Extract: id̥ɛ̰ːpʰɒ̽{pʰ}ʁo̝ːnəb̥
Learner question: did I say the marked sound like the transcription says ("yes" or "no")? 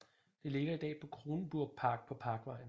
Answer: no